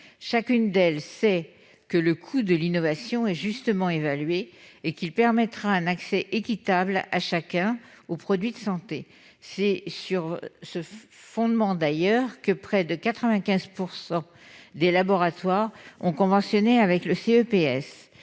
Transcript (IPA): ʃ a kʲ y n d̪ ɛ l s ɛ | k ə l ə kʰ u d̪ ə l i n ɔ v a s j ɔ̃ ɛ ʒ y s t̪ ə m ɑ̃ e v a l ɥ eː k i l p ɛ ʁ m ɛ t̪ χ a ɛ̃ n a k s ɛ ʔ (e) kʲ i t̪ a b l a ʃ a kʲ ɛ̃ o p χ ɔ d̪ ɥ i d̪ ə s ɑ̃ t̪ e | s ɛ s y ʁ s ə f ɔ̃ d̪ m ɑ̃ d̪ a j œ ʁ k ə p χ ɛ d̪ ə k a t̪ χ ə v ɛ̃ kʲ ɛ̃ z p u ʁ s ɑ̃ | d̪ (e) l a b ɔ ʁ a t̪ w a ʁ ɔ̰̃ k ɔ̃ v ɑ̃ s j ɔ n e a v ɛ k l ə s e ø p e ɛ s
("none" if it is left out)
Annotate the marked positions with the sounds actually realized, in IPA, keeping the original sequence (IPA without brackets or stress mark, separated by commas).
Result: e, e